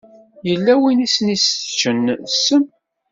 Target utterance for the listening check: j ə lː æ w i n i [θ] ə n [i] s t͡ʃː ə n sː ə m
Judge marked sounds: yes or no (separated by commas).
no, yes